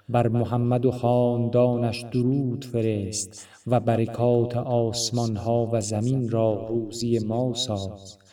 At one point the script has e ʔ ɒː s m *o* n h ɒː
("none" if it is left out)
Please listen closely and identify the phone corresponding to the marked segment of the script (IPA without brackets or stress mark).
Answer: ɒ